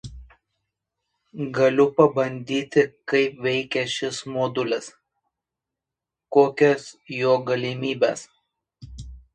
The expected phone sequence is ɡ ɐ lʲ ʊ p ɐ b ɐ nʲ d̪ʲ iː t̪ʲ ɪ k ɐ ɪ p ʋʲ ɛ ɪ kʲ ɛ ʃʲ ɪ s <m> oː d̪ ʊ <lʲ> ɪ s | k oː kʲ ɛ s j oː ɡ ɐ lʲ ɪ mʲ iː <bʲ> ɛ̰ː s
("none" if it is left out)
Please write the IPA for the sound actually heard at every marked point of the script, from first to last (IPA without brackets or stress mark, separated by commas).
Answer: m, lʲ, bʲ